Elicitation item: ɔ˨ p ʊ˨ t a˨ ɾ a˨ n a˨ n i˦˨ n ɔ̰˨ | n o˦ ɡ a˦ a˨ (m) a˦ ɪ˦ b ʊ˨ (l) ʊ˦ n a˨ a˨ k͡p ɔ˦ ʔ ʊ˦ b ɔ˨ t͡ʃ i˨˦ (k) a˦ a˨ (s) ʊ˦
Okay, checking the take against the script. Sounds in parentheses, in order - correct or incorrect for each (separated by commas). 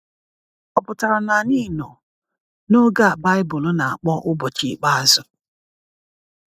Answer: incorrect, correct, incorrect, incorrect